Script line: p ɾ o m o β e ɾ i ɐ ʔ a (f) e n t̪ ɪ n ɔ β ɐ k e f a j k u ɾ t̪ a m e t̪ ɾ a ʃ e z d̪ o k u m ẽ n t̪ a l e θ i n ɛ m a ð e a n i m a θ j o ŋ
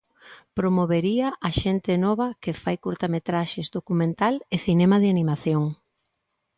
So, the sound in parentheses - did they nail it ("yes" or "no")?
no